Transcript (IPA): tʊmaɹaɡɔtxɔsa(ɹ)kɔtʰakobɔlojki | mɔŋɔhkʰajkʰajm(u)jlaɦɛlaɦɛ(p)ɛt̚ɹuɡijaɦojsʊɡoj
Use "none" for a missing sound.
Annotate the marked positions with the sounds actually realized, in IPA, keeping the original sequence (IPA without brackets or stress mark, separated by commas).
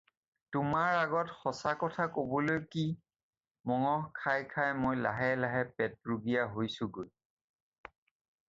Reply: none, o, p